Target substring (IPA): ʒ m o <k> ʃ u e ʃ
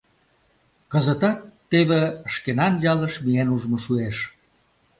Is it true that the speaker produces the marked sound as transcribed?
no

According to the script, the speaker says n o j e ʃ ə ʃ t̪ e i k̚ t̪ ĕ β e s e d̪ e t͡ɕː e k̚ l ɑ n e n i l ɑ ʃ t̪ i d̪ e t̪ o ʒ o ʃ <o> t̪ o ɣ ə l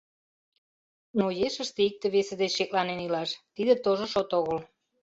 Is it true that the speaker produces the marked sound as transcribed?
yes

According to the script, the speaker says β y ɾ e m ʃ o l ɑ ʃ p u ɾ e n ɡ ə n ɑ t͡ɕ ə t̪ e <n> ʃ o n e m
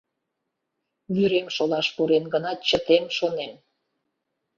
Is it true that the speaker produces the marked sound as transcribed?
no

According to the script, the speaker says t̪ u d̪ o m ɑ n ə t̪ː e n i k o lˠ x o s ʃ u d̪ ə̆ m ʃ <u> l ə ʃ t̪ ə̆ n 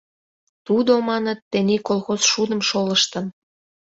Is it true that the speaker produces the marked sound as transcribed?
no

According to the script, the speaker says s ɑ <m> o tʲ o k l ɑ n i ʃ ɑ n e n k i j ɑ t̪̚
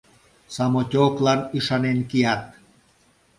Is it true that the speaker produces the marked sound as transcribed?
yes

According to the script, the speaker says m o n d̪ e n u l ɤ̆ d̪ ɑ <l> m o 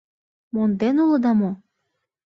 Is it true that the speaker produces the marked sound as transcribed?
no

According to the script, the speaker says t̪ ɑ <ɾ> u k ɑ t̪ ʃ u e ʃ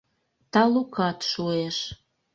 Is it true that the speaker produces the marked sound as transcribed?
no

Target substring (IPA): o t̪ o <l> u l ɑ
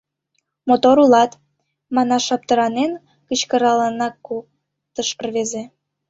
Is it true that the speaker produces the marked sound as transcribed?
no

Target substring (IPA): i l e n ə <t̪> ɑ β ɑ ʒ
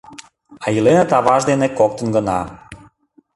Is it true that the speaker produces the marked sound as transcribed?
yes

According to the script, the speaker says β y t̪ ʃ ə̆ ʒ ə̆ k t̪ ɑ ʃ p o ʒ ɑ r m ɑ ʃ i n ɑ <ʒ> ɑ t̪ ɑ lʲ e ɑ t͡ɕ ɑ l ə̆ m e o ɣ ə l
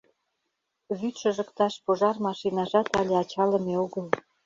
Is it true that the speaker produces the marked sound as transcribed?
yes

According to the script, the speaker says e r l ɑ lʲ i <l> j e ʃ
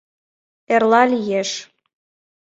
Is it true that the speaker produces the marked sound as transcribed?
no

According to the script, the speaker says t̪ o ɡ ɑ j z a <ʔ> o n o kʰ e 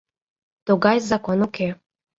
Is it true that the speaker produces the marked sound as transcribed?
no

